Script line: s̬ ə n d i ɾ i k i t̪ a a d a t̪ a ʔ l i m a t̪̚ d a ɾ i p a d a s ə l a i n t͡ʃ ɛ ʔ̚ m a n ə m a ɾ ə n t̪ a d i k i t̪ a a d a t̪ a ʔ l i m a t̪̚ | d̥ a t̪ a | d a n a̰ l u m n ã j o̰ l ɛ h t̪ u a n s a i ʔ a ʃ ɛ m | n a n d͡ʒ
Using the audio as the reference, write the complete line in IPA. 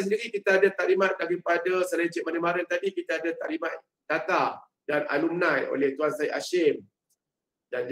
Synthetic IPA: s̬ ə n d i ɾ i k i t̪ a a d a t̪ a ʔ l i m a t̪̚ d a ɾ i p a d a s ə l a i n t͡ʃ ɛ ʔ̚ m a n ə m a ɾ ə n t̪ a d i k i t̪ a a d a t̪ a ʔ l i m a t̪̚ | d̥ a t̪ a | d a n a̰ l u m n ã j o̰ l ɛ h t̪ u a n s a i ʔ a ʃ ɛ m | d a n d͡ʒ